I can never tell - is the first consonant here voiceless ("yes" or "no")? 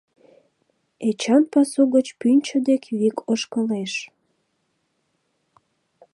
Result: yes